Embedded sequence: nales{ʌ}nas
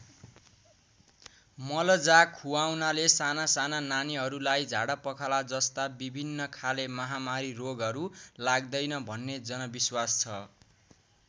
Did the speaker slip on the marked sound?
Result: yes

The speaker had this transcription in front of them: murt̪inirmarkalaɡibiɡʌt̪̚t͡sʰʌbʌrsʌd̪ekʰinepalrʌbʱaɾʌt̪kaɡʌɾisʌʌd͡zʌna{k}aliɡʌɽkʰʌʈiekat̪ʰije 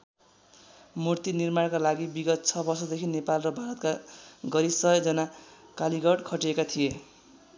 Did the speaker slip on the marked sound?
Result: no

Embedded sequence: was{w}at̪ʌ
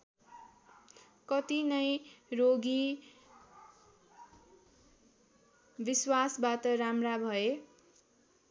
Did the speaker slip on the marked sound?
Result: yes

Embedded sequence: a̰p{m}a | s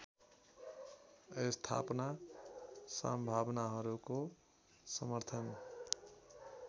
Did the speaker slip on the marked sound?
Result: yes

